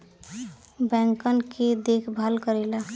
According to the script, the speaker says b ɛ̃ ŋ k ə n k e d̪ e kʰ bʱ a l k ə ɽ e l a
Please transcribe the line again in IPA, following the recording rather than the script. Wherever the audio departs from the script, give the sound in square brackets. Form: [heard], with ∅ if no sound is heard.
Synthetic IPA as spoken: b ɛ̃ ŋ k ə n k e d̪ e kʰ bʱ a l k ə [ɾ] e l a